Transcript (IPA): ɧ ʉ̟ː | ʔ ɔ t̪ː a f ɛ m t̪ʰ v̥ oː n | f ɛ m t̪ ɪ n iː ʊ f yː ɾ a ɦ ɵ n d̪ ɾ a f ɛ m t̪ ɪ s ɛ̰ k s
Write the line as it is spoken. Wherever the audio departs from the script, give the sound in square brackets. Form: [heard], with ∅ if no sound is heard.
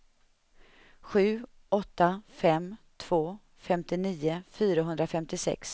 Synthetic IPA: ɧ ʉ̟ː | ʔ ɔ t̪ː a f ɛ m t̪ʰ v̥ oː [∅] | f ɛ m t̪ ɪ n iː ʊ f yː ɾ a ɦ ɵ n d̪ ɾ a f ɛ m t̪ ɪ s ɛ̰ k s